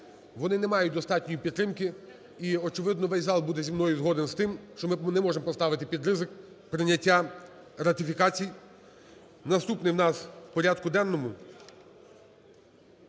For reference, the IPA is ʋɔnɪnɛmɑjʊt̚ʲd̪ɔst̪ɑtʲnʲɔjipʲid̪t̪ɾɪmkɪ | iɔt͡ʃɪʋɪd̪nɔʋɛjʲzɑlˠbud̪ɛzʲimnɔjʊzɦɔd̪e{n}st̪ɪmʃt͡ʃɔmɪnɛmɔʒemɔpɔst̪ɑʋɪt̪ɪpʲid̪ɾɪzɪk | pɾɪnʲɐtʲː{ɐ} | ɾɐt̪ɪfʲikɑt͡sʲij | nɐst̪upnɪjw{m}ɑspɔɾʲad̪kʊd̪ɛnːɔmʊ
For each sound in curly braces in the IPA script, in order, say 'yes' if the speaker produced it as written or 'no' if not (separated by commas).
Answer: yes, no, no